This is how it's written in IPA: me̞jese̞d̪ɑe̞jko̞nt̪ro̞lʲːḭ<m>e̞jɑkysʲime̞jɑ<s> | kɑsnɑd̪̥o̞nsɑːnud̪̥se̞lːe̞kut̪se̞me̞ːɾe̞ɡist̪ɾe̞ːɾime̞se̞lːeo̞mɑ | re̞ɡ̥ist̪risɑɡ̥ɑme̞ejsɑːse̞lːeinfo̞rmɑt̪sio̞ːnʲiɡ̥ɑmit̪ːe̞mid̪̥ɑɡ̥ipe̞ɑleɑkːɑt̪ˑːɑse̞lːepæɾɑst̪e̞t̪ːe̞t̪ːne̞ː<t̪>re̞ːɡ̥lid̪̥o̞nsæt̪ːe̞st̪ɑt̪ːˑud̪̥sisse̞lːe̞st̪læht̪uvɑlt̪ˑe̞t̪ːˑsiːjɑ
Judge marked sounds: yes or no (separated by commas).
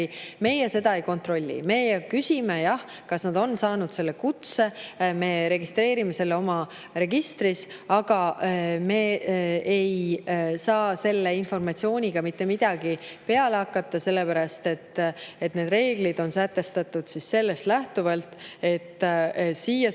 yes, no, no